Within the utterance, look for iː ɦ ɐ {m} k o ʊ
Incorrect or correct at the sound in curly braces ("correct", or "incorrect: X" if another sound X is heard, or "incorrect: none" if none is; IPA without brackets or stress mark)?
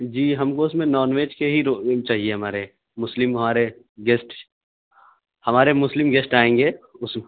correct